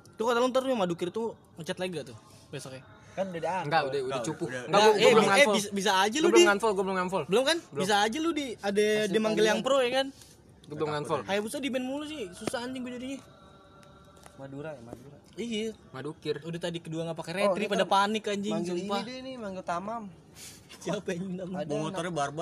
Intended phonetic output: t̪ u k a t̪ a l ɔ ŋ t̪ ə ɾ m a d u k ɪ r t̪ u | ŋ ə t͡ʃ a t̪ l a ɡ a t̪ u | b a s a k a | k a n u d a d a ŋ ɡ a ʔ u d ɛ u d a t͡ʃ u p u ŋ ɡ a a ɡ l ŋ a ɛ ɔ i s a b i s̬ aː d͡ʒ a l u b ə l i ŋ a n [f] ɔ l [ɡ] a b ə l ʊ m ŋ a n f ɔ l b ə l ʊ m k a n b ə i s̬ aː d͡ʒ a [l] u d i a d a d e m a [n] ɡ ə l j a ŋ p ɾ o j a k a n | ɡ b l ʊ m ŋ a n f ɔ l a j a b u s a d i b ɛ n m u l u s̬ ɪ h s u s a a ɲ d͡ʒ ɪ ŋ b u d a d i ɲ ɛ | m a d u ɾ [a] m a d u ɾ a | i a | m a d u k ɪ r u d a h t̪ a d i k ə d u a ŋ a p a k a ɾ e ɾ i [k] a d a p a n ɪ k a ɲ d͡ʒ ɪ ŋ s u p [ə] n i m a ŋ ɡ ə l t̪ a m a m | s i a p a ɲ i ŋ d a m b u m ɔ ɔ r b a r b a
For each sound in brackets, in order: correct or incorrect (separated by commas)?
correct, correct, correct, incorrect, correct, incorrect, incorrect